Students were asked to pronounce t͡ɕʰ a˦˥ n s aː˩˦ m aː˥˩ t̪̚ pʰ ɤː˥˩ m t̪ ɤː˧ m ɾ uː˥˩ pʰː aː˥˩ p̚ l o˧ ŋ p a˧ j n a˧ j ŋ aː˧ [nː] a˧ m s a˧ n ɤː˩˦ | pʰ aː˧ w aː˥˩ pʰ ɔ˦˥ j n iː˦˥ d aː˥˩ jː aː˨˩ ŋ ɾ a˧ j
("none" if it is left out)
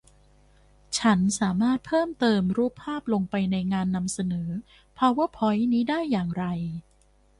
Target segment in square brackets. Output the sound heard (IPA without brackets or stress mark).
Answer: nː